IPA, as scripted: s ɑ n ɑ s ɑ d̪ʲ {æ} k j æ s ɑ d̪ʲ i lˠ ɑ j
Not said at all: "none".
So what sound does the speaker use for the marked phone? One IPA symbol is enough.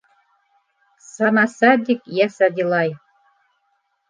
i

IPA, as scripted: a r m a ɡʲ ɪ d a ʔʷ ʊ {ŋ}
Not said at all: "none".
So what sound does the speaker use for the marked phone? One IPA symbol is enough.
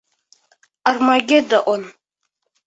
n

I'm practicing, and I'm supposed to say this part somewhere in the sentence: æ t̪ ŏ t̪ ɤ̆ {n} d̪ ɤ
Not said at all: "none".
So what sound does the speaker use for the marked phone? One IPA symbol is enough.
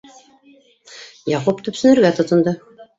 n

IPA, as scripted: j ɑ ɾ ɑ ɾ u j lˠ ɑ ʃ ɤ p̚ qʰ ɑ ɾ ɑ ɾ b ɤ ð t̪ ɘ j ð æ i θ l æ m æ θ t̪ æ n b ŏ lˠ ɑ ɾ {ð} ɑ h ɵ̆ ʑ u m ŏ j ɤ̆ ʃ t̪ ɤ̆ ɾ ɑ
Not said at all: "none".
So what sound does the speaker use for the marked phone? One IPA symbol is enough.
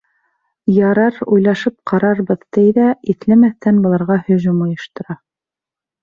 ʁ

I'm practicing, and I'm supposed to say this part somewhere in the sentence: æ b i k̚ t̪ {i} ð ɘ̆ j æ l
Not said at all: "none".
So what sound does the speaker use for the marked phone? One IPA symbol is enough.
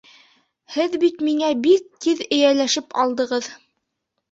i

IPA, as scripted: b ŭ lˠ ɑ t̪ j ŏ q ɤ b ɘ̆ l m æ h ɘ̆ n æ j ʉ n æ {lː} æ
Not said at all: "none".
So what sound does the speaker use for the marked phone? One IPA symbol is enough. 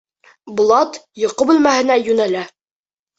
l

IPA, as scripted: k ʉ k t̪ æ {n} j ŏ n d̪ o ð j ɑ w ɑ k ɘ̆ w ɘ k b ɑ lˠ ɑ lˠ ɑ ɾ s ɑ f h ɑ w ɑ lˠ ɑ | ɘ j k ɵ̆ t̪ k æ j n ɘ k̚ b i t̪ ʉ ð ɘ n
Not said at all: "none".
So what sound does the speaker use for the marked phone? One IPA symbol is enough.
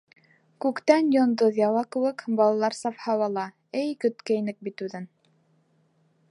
n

